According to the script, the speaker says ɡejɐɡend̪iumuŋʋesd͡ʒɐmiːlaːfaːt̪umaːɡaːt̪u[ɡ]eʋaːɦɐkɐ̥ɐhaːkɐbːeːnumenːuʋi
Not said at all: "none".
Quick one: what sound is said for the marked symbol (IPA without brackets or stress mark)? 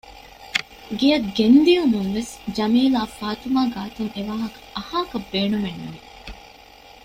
ŋ